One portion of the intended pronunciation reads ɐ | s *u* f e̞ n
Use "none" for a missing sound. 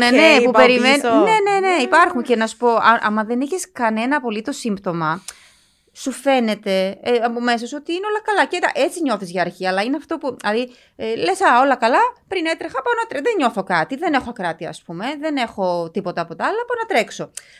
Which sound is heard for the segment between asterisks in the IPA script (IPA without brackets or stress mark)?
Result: u